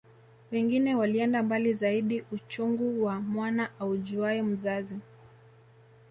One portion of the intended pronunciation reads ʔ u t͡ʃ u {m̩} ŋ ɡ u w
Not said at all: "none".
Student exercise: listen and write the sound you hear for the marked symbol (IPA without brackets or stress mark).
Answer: none